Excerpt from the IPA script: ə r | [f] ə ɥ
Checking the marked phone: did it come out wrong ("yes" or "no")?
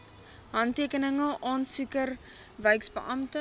yes